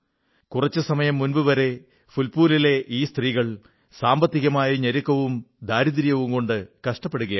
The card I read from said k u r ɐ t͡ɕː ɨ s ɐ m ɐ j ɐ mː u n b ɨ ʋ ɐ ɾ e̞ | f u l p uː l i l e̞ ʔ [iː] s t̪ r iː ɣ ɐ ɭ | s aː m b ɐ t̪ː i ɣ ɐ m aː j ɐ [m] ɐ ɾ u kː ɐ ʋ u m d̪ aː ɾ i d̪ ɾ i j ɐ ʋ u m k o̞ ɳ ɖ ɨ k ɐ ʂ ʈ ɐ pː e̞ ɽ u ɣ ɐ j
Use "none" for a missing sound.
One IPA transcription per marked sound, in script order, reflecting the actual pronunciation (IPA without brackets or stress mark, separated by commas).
iː, ɲ